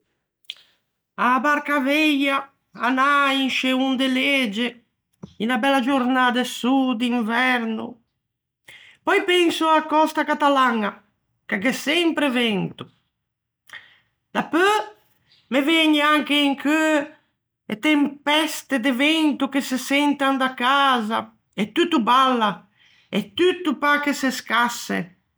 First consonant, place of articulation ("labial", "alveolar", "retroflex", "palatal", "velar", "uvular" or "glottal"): labial